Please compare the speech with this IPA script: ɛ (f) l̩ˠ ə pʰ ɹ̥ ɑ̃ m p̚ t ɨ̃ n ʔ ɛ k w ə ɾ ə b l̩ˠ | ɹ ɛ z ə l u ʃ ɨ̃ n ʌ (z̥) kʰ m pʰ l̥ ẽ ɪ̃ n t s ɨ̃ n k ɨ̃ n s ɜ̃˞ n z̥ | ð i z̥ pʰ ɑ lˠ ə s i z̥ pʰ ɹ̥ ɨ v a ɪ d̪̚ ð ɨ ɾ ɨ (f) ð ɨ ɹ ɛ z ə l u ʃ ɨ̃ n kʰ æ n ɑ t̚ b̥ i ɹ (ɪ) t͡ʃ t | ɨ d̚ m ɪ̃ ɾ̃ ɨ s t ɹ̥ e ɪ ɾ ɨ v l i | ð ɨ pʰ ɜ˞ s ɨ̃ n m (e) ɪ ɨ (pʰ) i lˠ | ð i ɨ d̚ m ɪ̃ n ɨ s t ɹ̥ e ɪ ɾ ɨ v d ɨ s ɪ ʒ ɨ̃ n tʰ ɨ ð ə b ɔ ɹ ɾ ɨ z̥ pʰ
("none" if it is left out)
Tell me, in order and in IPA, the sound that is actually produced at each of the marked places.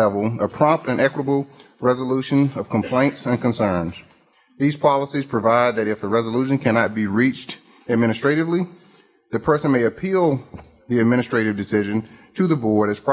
v, v̥, f, i, e, pʰ

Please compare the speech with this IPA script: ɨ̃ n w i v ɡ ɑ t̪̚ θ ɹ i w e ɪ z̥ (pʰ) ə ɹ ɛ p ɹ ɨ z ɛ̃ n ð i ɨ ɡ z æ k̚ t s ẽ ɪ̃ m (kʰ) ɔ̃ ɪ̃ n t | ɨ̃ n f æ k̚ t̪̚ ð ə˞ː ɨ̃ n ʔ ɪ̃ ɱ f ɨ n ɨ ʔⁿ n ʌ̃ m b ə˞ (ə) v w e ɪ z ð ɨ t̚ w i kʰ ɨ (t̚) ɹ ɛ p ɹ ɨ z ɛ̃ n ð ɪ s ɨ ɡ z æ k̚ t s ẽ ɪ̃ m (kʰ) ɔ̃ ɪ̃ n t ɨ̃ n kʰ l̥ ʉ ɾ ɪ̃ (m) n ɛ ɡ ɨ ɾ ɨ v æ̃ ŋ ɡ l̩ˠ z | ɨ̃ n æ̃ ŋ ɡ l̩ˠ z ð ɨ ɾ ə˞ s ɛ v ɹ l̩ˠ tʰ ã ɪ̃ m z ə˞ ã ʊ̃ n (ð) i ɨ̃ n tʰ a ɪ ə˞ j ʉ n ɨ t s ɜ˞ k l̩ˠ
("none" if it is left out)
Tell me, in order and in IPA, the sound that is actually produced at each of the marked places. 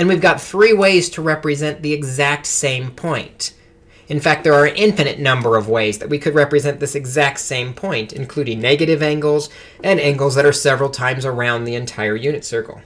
tʰ, pʰ, ʌ, d̚, pʰ, ŋ, ð

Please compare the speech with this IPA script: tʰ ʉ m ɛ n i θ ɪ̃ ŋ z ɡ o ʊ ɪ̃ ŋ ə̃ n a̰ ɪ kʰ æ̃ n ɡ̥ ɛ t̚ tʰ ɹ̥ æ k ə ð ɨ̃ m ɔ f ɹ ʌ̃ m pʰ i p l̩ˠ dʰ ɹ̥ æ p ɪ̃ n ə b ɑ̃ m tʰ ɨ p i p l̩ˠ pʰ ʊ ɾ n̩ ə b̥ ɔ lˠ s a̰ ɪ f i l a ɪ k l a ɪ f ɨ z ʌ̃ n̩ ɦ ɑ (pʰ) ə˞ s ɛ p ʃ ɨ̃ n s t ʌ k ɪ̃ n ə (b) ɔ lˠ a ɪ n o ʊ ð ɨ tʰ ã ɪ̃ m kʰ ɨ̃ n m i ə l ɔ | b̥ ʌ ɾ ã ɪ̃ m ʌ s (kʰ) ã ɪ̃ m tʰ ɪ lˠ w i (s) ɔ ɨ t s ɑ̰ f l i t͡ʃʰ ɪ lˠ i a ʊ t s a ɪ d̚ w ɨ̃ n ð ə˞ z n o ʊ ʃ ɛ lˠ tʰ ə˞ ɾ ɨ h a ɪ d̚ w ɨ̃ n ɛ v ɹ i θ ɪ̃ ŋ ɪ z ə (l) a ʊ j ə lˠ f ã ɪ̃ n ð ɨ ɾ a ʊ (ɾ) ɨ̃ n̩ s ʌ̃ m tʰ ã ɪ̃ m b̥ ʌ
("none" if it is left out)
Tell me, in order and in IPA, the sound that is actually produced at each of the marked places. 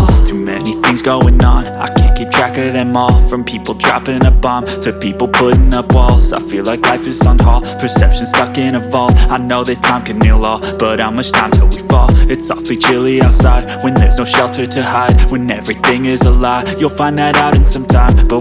pʰ, v, tʰ, f, l, ɾ

